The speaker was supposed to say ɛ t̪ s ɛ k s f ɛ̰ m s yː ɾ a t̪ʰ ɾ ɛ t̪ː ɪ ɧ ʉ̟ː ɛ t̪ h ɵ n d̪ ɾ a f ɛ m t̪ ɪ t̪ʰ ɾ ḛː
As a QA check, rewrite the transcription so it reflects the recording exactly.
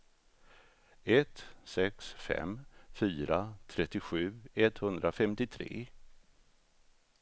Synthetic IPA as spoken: ɛ t̪ s ɛ k s f ɛ̰ m f yː ɾ a t̪ʰ ɾ ɛ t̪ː ɪ ɧ ʉ̟ː ɛ t̪ h ɵ n d̪ ɾ a f ɛ m t̪ ɪ t̪ʰ ɾ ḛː